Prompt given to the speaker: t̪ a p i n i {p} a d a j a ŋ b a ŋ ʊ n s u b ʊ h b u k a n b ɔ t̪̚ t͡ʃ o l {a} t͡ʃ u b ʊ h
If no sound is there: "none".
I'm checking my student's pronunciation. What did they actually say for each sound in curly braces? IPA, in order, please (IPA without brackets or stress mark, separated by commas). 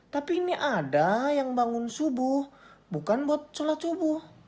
ʔ, a